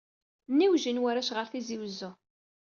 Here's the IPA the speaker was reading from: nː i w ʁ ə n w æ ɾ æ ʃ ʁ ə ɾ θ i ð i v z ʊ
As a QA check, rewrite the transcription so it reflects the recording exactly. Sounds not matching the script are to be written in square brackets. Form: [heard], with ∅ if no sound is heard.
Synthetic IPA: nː i w [ʒ] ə n w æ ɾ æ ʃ ʁ ə ɾ θ i [z] i [w] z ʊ